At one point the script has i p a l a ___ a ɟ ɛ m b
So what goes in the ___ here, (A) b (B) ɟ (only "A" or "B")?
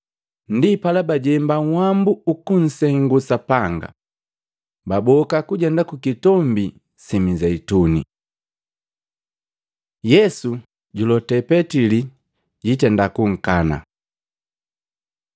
A